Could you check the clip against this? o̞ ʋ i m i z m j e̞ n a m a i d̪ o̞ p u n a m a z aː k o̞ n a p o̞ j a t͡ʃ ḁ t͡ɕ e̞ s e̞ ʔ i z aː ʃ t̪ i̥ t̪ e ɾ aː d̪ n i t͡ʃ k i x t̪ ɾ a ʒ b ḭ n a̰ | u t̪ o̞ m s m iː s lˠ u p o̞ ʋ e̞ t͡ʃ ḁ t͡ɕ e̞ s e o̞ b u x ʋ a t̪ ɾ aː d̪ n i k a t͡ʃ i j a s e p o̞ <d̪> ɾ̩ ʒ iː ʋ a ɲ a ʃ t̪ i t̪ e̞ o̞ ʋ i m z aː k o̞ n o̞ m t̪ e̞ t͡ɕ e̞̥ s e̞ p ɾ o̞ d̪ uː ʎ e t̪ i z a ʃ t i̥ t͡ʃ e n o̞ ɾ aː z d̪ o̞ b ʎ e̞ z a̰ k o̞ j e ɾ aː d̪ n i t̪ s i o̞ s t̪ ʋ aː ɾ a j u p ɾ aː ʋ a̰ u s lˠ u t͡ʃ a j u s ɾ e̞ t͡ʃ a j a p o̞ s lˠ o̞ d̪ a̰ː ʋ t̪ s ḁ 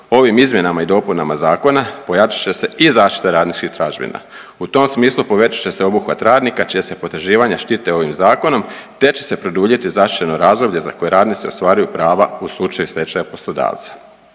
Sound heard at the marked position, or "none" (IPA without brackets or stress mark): t̪